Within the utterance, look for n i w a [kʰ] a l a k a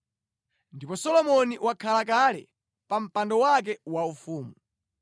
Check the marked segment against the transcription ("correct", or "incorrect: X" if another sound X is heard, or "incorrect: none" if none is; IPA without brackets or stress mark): correct